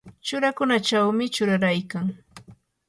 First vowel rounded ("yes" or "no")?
yes